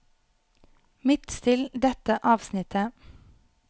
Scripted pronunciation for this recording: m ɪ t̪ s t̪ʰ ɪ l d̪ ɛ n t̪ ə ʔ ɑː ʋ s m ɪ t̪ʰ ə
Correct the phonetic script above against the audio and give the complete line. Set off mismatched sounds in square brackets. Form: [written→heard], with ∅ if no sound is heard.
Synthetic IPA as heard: m ɪ t̪ s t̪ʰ ɪ l d̪ ɛ [n→∅] t̪ ə ʔ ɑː ʋ s [m→n] ɪ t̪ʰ ə